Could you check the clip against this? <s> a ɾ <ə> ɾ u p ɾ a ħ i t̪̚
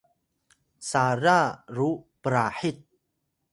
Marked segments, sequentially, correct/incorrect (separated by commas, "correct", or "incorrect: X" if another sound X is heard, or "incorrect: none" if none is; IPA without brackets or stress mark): correct, incorrect: a